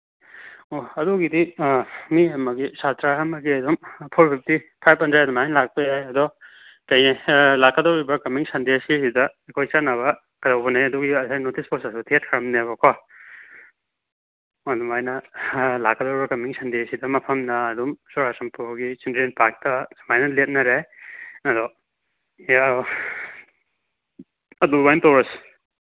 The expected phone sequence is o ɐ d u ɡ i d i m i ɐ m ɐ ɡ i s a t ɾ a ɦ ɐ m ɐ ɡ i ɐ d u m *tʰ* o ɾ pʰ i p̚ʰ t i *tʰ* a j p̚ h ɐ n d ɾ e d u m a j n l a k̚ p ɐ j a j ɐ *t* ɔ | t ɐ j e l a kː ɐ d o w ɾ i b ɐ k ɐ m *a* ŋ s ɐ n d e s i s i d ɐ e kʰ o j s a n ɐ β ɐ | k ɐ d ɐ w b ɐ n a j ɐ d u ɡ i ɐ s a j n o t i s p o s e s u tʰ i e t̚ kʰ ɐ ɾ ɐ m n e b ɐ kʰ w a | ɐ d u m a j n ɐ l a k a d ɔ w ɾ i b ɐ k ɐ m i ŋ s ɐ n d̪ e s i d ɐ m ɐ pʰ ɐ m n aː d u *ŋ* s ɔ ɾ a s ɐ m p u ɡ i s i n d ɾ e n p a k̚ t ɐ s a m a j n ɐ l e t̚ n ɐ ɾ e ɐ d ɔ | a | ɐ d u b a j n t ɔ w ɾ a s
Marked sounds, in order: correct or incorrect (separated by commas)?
incorrect, incorrect, incorrect, incorrect, incorrect